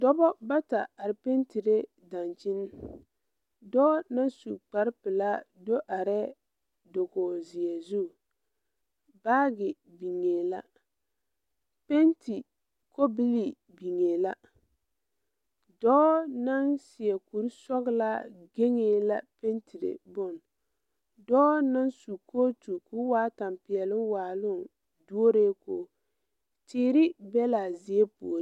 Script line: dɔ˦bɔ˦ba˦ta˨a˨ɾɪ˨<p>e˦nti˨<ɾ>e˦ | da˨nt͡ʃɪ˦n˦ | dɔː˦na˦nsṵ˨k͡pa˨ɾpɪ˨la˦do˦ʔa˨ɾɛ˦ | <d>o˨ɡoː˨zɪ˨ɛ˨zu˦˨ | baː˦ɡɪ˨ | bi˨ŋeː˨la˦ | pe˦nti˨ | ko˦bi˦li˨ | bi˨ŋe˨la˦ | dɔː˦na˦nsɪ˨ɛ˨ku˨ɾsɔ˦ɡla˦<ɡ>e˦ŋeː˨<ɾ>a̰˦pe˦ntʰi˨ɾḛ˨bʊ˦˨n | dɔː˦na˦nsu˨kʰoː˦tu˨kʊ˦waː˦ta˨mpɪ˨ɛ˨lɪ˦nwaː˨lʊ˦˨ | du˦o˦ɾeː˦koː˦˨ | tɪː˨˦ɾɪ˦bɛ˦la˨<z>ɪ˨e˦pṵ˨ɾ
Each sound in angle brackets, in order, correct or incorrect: correct, correct, correct, correct, incorrect: l, correct

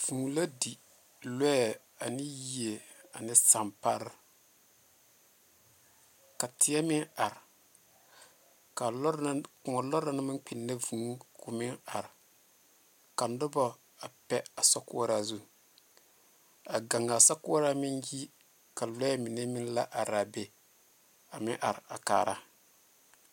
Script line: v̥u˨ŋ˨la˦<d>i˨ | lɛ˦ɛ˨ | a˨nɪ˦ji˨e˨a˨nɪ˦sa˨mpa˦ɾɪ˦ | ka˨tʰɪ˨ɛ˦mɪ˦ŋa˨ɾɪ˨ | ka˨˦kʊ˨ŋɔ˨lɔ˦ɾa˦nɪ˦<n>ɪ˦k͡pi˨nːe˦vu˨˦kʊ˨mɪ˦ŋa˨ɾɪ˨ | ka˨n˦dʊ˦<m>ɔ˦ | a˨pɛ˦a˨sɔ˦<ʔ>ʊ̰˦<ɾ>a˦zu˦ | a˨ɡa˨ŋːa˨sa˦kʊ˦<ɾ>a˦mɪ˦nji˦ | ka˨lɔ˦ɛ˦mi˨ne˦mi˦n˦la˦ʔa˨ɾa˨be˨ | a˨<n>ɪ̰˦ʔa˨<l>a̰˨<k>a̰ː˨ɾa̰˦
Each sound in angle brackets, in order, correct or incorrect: correct, incorrect: m, incorrect: b, incorrect: k, correct, correct, incorrect: m, incorrect: ɾ, correct

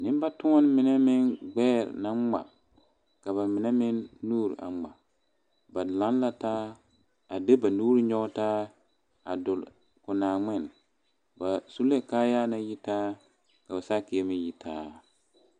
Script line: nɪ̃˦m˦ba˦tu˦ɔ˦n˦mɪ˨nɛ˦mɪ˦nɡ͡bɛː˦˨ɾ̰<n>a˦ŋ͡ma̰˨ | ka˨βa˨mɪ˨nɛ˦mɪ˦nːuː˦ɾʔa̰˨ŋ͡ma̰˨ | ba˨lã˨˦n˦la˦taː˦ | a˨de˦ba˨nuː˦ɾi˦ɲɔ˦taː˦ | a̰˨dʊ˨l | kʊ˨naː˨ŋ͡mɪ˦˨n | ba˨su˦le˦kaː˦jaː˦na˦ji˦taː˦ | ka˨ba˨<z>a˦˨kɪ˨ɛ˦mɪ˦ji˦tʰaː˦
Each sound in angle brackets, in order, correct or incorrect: correct, incorrect: s

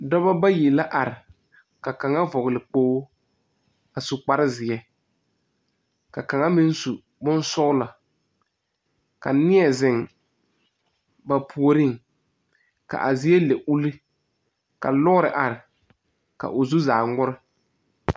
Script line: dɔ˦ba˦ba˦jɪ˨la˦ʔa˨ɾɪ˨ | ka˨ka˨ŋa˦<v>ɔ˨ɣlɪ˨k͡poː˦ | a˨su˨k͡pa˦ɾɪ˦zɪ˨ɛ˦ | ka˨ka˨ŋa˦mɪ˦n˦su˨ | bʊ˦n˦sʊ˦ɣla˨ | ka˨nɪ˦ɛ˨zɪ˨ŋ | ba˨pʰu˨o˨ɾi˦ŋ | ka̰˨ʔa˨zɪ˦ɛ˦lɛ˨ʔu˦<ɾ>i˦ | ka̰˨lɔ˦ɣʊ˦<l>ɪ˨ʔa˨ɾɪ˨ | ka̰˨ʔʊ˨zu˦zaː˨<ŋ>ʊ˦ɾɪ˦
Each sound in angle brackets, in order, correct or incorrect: correct, incorrect: l, incorrect: ɾ, correct

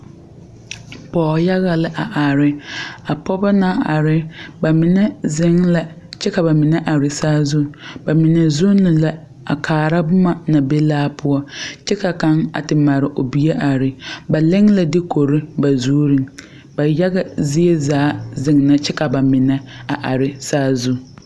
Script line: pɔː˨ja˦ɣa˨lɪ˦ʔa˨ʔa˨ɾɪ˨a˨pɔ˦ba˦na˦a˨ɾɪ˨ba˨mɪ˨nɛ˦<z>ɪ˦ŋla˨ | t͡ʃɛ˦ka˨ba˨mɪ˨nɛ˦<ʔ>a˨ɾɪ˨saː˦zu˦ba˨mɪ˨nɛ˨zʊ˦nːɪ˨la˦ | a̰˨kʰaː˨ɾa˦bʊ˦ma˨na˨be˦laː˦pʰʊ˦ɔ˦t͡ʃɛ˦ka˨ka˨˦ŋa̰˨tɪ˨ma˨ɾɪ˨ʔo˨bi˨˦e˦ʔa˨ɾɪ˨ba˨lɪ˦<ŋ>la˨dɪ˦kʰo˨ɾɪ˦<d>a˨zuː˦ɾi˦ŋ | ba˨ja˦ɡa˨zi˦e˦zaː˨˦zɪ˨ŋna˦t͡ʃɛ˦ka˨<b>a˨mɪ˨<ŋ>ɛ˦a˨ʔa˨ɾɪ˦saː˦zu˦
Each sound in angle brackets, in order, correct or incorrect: correct, correct, correct, incorrect: b, correct, incorrect: n

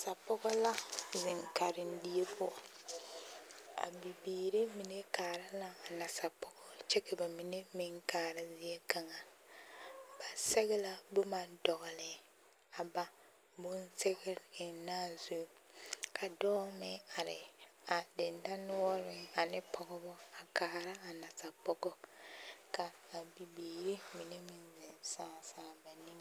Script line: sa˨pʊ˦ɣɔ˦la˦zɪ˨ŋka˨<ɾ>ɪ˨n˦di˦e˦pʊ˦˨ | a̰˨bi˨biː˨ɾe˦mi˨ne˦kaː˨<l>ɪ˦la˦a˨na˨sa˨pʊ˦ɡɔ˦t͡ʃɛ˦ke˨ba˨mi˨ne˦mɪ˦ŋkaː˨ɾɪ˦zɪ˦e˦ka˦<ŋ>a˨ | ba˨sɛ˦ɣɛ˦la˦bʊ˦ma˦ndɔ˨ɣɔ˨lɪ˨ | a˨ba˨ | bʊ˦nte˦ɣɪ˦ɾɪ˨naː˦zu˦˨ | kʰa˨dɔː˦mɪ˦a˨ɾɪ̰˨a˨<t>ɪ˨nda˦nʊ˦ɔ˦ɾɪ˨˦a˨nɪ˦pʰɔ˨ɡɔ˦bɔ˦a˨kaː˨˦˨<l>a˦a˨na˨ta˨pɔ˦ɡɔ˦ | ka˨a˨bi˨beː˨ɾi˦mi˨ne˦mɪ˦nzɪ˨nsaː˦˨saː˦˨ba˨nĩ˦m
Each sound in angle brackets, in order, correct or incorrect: correct, incorrect: ɾ, correct, incorrect: d, incorrect: ɾ

